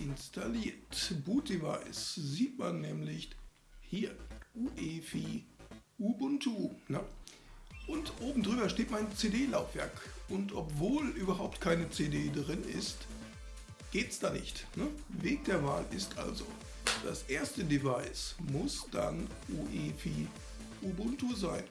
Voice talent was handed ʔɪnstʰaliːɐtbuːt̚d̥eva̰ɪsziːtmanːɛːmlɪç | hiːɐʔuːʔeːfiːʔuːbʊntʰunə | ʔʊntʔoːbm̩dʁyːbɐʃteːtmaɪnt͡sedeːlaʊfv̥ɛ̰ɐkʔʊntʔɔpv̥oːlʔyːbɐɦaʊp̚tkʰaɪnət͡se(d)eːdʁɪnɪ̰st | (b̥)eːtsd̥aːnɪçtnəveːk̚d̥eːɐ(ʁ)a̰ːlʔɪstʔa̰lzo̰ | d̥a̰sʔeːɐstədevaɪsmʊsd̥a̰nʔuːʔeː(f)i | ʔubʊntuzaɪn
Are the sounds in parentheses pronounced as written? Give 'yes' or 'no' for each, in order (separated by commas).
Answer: yes, no, no, yes